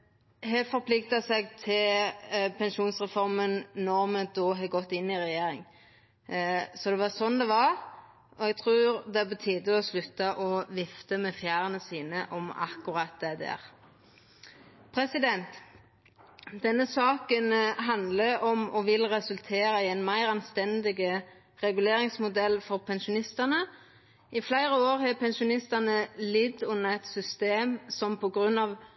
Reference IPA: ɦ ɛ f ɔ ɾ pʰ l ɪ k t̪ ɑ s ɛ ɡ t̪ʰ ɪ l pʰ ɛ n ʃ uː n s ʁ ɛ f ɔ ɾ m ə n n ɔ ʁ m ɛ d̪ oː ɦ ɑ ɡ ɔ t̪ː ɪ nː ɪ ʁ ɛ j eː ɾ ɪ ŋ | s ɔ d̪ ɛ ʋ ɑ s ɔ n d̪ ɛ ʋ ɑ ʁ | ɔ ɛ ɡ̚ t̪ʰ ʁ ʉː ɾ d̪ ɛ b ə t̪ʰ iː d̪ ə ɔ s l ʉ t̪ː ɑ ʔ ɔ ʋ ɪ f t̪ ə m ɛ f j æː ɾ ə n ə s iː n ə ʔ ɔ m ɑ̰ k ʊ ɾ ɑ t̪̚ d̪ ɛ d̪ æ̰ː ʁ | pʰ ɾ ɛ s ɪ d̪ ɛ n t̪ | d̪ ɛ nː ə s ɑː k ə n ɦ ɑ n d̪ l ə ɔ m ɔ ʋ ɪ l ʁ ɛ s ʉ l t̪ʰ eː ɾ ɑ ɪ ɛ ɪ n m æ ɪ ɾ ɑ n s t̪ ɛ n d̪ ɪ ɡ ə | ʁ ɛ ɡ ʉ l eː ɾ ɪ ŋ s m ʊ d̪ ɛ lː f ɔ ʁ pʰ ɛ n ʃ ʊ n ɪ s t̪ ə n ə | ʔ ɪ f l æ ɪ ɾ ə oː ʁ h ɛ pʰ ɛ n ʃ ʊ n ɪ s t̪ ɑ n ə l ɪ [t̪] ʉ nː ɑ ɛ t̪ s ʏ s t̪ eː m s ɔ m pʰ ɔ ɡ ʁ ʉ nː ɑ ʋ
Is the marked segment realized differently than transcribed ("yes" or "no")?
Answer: yes